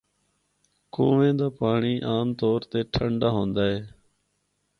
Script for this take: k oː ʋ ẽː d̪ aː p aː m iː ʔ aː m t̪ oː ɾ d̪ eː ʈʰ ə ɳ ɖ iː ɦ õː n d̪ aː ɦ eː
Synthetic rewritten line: k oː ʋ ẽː d̪ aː p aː ɳ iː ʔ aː m t̪ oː ɾ t̪ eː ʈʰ ə ɳ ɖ aː ɦ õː n d̪ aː ɦ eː